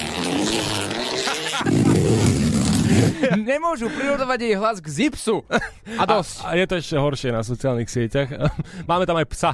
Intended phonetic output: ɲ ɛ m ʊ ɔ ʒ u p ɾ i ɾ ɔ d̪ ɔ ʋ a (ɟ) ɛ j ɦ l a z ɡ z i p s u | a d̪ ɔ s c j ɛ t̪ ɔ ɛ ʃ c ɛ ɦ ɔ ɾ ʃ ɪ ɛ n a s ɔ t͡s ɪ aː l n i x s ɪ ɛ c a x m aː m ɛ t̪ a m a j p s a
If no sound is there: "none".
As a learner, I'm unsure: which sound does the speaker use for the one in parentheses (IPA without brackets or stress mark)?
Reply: ɟ